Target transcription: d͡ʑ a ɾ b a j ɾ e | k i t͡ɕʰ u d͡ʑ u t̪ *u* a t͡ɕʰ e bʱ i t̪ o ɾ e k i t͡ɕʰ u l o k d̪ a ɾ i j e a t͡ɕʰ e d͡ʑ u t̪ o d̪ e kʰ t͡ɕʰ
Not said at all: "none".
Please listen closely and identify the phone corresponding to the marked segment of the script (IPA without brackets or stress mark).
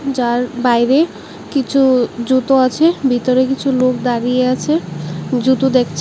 o